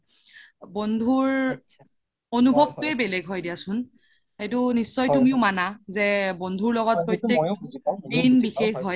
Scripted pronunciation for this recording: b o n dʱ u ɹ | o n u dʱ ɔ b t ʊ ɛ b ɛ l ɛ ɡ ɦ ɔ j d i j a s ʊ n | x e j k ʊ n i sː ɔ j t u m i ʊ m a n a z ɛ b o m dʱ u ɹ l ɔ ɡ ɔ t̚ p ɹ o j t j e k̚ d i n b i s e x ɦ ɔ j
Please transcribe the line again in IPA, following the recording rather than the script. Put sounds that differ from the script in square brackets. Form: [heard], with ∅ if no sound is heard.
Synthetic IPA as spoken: b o n dʱ u ɹ | o n u [bʱ] ɔ b t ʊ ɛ b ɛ l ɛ ɡ ɦ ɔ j d i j a s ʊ n | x e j [t] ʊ n i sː ɔ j t u m i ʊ m a n a z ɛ b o [n] dʱ u ɹ l ɔ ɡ ɔ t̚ p ɹ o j t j e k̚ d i n b i [x] e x ɦ ɔ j